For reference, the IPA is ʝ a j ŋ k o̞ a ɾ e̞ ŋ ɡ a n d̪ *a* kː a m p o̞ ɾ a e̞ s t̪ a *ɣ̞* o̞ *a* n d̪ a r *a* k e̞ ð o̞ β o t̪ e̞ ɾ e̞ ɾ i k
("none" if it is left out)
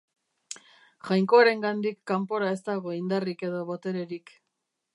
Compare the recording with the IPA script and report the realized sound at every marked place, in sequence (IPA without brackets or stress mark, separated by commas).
i, ɣ̞, i, i